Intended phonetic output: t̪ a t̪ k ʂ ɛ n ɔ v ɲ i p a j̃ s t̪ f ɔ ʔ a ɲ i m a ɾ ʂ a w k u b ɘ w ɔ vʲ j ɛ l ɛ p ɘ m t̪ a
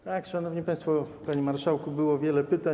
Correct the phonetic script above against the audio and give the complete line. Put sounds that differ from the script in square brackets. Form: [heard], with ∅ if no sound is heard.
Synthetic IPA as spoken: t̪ a [∅] k ʂ [a] n ɔ v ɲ i p a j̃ s t̪ f ɔ [p] a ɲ i m a ɾ ʂ a w k u b ɘ w ɔ vʲ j ɛ l ɛ p ɘ [∅] t̪ a